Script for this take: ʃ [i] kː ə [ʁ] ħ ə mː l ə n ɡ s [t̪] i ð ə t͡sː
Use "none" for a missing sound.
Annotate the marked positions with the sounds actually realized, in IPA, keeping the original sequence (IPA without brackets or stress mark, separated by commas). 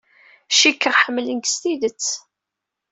i, ʁ, t̪